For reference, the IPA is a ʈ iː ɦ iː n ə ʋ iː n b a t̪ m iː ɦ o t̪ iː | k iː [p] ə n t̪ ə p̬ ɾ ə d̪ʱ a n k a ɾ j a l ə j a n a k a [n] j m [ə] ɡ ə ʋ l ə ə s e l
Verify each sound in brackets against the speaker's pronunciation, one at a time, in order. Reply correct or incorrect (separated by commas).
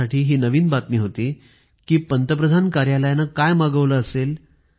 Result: correct, incorrect, incorrect